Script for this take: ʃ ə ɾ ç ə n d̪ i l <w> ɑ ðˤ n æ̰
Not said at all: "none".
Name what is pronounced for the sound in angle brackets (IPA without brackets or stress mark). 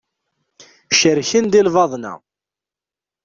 v